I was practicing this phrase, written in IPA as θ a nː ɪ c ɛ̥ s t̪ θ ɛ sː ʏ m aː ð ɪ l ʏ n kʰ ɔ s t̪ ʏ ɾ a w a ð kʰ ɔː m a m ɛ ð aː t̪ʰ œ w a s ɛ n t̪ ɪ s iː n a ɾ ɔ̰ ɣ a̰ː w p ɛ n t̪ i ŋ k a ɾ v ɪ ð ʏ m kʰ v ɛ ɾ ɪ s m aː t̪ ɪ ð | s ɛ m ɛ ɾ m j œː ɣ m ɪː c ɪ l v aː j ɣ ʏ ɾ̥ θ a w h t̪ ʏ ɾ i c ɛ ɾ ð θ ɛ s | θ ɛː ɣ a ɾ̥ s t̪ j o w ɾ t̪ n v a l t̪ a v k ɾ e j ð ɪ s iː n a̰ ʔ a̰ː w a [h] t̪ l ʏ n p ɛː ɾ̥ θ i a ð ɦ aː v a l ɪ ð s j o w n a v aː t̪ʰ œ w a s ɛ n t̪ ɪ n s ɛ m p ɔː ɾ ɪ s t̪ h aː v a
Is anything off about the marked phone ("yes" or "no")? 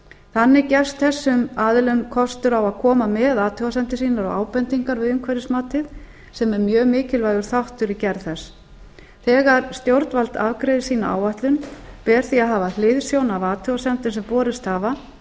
no